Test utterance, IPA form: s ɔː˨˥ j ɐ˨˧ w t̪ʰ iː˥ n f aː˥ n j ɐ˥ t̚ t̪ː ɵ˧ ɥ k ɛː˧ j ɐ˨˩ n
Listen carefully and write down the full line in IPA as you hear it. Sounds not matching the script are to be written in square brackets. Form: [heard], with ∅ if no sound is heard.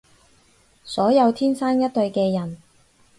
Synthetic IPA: s ɔː˨˥ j ɐ˨˧ w t̪ʰ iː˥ n [s] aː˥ n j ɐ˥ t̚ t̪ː ɵ˧ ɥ k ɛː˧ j ɐ˨˩ n